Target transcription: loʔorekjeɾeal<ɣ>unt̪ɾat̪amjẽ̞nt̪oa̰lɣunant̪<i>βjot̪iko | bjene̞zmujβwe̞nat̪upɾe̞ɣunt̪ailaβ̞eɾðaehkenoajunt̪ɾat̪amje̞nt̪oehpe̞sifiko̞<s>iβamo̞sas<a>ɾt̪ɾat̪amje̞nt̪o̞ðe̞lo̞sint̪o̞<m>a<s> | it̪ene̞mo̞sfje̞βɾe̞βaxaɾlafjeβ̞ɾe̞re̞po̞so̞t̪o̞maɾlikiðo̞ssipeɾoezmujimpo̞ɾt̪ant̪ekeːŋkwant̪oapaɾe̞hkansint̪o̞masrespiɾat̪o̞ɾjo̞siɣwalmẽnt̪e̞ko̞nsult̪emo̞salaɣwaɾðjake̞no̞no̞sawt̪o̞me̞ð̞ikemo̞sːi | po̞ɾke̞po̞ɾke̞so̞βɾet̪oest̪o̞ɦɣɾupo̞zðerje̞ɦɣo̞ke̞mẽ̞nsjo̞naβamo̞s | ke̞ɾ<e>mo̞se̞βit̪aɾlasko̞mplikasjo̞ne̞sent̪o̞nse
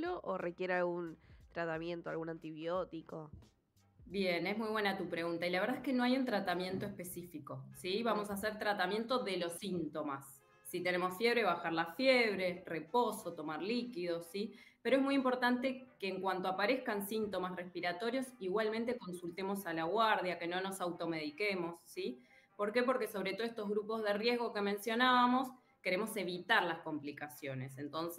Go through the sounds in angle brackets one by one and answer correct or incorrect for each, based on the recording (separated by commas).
correct, correct, correct, incorrect, correct, incorrect, correct